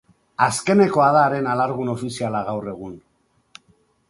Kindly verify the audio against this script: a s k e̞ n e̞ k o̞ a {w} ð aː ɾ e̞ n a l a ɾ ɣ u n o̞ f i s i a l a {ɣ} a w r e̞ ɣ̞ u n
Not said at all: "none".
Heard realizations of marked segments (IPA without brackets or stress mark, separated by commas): none, ɣ